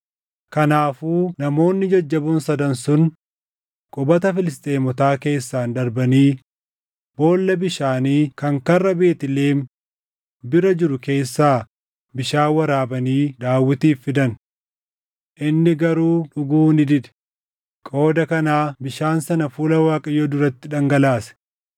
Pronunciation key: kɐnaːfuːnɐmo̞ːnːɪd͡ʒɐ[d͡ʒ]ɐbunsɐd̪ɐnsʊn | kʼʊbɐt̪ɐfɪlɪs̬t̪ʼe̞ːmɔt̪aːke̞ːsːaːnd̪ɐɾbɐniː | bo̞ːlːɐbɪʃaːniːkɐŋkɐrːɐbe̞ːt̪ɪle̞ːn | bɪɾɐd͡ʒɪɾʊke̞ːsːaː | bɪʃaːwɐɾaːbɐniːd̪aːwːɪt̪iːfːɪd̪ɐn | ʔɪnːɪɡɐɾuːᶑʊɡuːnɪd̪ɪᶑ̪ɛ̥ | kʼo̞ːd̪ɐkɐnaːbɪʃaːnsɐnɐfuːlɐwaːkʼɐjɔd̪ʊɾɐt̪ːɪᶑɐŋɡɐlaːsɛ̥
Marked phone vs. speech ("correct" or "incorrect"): incorrect